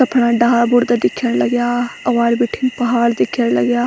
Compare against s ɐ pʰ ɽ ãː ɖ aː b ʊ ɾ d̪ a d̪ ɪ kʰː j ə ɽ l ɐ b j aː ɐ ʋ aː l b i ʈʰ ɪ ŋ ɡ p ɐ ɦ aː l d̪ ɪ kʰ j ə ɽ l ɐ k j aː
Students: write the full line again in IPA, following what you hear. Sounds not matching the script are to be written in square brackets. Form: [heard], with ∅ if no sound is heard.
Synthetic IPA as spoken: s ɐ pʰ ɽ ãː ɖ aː b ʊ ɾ d̪ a d̪ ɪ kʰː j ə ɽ l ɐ [ɡ] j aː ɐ ʋ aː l b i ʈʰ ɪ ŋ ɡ p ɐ ɦ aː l d̪ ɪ kʰ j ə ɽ l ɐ [ɡ] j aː